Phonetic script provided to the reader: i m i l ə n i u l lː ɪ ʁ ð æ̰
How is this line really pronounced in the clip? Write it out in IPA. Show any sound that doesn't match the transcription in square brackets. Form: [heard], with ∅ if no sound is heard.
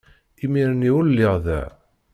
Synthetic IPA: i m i [ɾ] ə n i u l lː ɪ ʁ ð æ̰